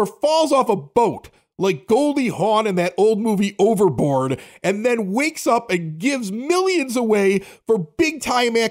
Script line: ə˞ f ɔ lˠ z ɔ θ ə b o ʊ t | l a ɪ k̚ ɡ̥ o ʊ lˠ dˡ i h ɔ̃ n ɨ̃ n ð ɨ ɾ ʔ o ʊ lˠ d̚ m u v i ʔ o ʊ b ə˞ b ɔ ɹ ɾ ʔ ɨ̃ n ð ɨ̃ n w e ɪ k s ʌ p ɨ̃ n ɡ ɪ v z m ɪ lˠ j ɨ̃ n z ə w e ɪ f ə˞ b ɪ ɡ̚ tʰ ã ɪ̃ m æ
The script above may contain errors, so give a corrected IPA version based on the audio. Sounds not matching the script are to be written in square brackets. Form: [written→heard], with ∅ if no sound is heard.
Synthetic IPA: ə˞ f ɔ lˠ z ɔ [θ→f] ə b o ʊ t | l a ɪ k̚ ɡ̥ o ʊ lˠ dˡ i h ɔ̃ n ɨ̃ n ð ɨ ɾ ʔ o ʊ lˠ d̚ m u v i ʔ o ʊ [b→v] ə˞ b ɔ ɹ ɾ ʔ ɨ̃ n ð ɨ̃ n w e ɪ k s ʌ p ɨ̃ n ɡ ɪ v z m ɪ lˠ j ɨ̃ n z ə w e ɪ f ə˞ b ɪ ɡ̚ tʰ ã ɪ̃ m æ